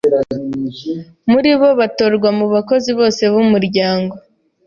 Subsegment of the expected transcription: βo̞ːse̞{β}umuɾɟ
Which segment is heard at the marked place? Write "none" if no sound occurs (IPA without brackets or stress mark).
β